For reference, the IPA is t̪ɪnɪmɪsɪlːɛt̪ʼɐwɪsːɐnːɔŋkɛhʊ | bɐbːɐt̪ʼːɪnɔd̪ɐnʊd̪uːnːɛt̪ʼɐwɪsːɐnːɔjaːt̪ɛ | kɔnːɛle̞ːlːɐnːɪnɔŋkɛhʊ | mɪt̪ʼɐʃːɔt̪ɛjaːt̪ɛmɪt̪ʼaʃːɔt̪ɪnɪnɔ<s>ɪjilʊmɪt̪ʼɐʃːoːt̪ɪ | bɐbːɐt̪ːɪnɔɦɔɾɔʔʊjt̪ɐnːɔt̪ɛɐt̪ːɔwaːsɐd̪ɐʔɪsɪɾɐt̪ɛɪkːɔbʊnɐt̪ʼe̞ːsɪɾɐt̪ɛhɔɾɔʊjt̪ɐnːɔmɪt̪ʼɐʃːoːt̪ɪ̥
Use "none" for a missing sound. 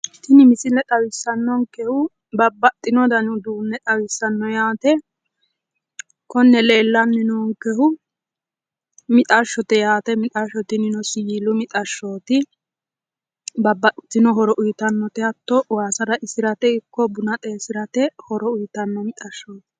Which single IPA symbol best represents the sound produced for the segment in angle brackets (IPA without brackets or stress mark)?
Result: s